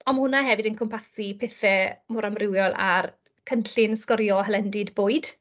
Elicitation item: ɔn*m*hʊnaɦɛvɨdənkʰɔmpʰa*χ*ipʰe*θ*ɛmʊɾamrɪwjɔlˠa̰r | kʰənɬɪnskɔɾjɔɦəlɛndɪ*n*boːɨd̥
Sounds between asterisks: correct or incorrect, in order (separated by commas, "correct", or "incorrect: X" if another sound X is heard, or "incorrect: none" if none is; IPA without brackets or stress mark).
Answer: correct, incorrect: s, correct, incorrect: d